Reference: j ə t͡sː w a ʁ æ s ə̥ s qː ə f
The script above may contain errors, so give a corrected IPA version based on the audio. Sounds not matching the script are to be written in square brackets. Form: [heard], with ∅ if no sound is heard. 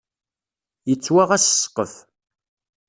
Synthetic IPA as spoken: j ə t͡sː w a ʁ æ s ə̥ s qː ə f